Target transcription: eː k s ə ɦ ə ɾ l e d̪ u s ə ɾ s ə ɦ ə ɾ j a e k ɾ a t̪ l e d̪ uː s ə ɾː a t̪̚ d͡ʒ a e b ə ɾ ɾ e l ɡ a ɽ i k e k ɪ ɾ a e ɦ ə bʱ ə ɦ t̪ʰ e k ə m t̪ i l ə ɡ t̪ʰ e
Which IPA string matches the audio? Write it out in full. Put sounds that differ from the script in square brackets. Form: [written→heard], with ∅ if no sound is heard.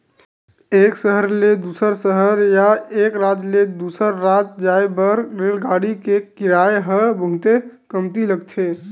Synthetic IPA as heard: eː k s ə ɦ ə ɾ l e d̪ u s ə ɾ s ə ɦ ə ɾ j a e k ɾ a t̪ l e d̪ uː s ə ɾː a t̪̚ d͡ʒ a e b ə ɾ ɾ e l ɡ a ɽ i k e k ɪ ɾ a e ɦ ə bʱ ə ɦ [t̪ʰ→t̪] e k ə m t̪ i l ə ɡ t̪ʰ e